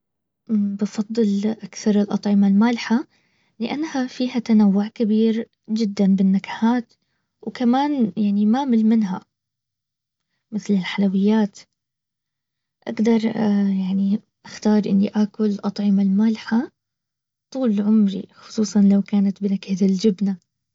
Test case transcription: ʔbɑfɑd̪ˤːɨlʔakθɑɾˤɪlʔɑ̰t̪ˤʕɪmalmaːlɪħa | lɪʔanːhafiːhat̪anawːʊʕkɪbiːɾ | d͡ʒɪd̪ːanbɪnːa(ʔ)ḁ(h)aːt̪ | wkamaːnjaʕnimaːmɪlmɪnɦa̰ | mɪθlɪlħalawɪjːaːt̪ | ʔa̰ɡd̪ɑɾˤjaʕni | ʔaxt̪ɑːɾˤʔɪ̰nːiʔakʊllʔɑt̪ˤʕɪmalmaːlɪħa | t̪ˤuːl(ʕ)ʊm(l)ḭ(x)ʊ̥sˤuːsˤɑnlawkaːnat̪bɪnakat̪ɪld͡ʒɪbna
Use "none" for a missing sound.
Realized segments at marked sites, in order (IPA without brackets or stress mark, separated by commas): k, h, ʕ, ɾ, x